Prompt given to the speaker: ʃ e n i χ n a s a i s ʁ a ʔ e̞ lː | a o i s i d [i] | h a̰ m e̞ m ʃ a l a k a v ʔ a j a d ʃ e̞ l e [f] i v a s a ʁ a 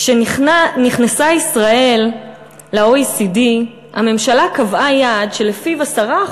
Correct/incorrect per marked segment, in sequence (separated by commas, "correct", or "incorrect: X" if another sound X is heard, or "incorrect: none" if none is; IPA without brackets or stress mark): correct, correct